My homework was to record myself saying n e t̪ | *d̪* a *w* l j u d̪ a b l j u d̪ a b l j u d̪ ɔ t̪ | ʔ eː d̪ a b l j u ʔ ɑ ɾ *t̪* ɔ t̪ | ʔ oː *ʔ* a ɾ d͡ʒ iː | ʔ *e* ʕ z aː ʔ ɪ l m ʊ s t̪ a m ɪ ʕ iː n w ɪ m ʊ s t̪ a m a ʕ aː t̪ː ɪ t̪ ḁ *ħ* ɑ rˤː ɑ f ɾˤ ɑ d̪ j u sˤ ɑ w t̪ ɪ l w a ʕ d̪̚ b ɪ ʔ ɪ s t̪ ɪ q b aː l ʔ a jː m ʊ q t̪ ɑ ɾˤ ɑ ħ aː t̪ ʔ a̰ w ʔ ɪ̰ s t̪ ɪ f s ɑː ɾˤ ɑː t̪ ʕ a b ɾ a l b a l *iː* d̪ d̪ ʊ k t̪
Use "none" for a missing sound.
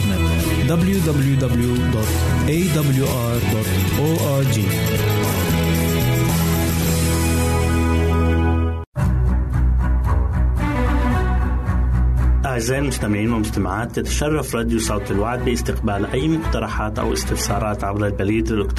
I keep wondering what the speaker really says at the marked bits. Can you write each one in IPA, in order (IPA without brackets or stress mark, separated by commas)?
d̪, b, d̪, ʔ, a, ʃ, iː